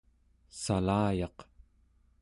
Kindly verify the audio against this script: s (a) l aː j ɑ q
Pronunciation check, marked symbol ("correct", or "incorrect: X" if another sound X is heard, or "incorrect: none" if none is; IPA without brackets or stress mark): correct